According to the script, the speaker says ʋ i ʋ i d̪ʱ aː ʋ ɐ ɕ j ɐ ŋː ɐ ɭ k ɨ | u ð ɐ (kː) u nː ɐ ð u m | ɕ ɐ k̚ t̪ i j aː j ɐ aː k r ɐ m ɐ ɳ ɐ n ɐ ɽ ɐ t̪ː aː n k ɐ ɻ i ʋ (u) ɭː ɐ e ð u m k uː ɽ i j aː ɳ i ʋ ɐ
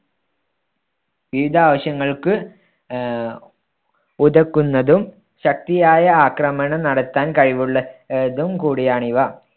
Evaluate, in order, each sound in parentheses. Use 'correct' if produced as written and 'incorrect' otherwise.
correct, correct

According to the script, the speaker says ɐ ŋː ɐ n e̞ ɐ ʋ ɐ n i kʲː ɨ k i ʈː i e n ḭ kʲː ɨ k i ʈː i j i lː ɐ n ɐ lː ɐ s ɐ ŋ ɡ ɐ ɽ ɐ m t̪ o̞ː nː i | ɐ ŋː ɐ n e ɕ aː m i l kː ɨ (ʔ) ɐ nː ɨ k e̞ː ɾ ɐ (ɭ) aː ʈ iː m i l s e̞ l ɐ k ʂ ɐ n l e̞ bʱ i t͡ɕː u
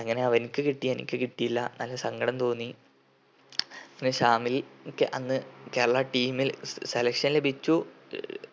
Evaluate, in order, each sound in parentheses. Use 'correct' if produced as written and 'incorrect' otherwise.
correct, correct

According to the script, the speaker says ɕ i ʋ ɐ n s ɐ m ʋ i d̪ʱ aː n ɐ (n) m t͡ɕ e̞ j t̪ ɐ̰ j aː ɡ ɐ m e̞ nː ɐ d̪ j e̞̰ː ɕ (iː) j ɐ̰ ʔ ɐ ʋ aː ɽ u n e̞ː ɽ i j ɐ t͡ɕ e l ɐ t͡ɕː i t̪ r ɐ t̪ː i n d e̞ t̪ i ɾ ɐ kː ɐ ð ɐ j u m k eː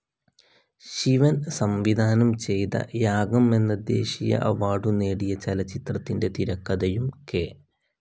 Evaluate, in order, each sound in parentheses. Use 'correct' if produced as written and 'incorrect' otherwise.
incorrect, incorrect

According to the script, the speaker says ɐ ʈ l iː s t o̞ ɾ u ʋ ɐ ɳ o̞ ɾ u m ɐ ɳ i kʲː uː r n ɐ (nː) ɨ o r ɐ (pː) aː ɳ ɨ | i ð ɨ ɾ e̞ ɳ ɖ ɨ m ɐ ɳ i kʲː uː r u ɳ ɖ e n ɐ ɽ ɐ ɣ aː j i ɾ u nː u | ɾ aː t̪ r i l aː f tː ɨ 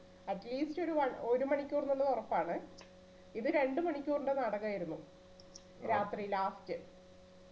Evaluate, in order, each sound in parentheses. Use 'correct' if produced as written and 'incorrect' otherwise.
correct, correct

